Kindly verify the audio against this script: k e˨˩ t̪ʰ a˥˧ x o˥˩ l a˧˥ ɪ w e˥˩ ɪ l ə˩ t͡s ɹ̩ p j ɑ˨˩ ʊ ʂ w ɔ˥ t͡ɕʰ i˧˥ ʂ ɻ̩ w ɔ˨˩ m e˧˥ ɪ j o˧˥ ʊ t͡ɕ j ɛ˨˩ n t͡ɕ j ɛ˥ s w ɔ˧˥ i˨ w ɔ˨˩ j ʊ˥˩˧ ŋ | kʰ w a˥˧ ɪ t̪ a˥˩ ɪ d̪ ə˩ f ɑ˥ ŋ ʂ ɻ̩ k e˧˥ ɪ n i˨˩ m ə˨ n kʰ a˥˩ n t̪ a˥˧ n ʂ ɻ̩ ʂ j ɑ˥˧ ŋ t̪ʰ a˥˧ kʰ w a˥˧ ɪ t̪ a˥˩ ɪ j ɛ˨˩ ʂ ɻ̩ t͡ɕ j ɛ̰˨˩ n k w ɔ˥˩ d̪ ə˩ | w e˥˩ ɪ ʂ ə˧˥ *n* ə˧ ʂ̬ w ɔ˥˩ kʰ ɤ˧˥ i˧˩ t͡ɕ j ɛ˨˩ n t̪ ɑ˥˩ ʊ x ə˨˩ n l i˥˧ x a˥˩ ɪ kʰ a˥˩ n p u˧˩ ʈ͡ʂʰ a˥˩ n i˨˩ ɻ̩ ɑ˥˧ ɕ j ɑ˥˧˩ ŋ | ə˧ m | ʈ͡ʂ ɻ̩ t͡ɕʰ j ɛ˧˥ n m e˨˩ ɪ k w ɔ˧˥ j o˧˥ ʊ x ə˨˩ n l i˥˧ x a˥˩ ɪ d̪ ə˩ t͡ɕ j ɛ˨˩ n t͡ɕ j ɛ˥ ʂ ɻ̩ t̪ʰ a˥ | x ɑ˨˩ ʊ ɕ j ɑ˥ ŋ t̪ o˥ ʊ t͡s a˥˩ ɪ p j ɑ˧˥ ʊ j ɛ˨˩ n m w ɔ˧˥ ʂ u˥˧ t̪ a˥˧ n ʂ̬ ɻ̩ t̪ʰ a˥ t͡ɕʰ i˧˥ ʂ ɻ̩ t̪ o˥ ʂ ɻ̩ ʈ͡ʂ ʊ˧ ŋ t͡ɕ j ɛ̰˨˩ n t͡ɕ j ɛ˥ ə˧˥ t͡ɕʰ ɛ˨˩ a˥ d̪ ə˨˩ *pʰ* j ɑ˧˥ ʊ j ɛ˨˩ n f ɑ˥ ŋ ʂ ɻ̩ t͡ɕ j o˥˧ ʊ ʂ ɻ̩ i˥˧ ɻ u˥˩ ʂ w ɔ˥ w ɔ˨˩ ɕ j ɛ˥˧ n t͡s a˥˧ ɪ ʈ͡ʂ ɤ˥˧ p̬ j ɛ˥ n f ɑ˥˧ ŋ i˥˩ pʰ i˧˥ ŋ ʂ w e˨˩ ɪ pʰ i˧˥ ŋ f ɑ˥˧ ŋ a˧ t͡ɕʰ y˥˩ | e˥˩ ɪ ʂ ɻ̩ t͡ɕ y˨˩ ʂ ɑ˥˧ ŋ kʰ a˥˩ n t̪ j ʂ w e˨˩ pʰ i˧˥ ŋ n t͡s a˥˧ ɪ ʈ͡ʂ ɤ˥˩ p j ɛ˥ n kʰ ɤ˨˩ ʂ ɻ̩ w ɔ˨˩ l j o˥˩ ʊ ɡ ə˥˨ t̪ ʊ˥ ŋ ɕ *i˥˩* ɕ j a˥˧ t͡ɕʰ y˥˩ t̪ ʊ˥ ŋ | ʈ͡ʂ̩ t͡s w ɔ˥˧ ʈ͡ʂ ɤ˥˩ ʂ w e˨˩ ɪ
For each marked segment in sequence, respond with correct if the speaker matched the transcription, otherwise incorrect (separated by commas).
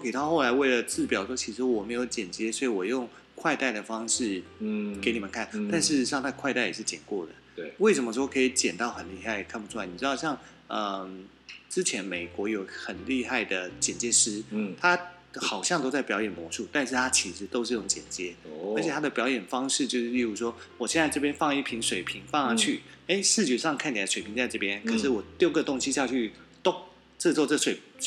incorrect, incorrect, incorrect